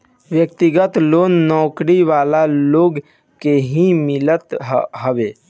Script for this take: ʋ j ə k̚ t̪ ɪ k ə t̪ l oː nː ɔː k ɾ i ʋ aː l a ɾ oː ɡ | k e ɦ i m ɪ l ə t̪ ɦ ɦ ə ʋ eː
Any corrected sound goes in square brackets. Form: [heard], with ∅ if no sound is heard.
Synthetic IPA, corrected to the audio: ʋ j ə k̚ t̪ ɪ [ɡ] ə t̪ l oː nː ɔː k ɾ i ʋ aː l a [l] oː ɡ | k e ɦ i m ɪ l ə t̪ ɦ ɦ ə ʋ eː